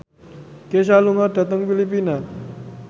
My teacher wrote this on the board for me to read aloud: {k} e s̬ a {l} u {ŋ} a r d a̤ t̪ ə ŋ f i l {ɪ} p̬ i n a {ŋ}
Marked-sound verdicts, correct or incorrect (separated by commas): correct, correct, correct, incorrect, incorrect